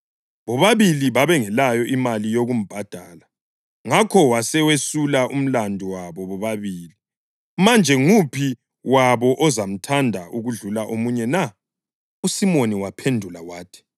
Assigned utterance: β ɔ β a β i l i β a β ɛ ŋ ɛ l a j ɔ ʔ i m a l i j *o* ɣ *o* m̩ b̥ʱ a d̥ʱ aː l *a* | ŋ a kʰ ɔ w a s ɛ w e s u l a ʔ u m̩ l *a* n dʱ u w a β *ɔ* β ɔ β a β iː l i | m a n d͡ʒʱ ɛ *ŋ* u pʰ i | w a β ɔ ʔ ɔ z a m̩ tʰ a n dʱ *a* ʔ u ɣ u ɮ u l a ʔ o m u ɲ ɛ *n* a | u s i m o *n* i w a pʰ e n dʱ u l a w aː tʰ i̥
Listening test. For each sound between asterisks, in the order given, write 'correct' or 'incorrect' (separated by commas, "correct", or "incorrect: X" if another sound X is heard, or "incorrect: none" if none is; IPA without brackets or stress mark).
correct, incorrect: u, correct, correct, correct, correct, correct, correct, correct